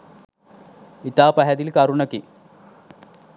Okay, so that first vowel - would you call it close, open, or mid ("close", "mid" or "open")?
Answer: close